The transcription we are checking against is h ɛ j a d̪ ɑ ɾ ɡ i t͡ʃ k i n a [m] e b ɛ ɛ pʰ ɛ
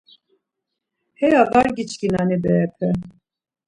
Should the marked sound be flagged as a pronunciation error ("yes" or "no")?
yes